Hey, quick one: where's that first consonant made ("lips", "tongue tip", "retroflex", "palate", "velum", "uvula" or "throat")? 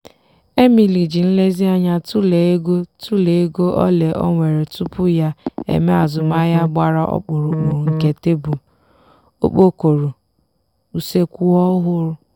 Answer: lips